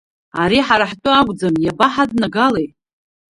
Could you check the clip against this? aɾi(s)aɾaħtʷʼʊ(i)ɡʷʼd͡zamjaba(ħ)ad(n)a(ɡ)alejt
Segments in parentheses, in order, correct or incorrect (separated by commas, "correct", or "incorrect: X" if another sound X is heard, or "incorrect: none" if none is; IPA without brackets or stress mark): incorrect: ħ, incorrect: a, correct, correct, correct